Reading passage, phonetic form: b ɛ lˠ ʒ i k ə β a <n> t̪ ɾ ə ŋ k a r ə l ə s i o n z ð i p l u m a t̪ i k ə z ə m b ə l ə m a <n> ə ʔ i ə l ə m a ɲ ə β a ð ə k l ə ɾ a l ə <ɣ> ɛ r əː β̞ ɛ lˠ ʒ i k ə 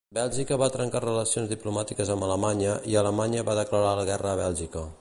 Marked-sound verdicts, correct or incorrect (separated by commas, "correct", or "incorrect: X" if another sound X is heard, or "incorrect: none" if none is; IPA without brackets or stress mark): incorrect: none, incorrect: ɲ, correct